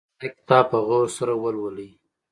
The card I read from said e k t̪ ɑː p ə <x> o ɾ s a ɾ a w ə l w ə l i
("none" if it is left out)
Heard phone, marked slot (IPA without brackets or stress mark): ɣ